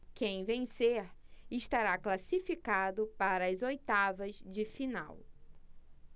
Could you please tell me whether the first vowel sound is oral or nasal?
nasal